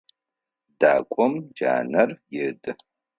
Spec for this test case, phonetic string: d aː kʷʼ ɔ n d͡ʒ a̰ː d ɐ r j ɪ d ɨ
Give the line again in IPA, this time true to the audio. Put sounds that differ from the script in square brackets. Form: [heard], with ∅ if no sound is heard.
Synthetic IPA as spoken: d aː kʷʼ ɔ [m] d͡ʒ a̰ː [n] ɐ r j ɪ d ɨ